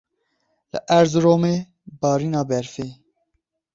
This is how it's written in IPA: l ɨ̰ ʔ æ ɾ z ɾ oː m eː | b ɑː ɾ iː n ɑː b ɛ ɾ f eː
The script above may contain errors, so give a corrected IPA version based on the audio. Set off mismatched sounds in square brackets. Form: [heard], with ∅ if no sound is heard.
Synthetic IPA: l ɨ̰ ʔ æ ɾ z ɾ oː m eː | b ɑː ɾ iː n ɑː b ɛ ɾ f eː